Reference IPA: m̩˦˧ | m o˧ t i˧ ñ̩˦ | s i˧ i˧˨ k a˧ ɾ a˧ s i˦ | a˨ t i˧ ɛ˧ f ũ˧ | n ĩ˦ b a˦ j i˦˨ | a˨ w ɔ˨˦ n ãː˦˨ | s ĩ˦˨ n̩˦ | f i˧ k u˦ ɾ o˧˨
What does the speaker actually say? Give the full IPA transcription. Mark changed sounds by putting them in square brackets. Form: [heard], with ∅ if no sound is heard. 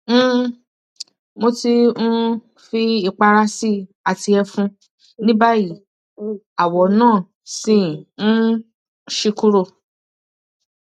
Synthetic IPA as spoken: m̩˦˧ | m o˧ t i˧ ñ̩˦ | [f] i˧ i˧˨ [k͡p] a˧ ɾ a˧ s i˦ | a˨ t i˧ ɛ˧ f ũ˧ | n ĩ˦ b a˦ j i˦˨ | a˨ w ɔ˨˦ n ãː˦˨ | s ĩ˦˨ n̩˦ | [ʃ] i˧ k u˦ ɾ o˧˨